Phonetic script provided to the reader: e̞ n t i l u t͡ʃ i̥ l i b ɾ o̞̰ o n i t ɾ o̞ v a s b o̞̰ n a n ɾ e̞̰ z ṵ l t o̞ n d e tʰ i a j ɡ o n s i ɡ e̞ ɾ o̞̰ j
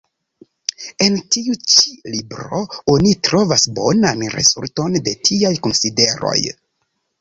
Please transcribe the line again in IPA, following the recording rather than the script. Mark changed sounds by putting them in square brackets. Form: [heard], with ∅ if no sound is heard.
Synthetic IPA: e̞ n t i [∅] u t͡ʃ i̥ l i b ɾ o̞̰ o n i t ɾ o̞ v a s b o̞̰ n a n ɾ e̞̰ z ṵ l t o̞ n d e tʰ i a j [k] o n s i [d] e̞ ɾ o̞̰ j